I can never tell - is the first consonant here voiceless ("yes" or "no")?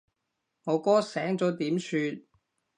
no